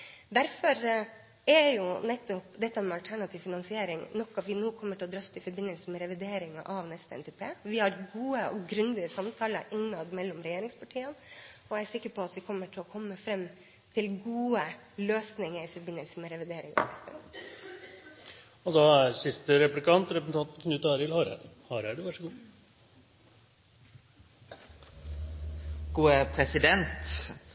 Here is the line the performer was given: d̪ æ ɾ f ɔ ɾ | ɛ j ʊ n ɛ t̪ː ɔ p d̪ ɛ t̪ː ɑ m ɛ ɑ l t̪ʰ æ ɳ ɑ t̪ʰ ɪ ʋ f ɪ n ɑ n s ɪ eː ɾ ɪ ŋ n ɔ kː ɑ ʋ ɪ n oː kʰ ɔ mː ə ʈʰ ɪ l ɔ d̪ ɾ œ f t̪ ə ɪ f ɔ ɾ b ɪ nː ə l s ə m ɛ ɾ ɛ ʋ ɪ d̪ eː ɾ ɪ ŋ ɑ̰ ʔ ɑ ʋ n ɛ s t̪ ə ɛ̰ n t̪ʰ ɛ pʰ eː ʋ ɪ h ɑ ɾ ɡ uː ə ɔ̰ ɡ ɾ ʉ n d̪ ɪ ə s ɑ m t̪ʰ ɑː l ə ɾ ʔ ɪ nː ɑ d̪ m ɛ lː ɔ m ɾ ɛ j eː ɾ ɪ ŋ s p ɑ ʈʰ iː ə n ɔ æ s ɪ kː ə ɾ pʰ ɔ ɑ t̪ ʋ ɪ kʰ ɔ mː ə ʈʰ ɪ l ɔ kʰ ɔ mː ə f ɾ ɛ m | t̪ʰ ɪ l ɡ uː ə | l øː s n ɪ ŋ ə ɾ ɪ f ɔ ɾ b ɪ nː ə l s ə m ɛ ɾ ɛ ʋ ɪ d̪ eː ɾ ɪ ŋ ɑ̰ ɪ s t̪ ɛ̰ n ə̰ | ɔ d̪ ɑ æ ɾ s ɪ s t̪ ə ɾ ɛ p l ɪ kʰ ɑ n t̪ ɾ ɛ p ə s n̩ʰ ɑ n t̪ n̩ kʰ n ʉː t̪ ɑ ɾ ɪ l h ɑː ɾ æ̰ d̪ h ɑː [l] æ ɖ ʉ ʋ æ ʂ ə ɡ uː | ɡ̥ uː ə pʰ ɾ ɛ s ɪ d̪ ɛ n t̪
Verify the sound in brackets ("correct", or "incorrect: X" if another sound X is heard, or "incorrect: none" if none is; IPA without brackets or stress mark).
incorrect: ɾ